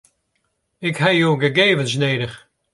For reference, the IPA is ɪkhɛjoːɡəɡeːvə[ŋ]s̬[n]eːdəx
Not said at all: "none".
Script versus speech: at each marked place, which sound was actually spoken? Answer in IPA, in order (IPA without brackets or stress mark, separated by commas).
n, n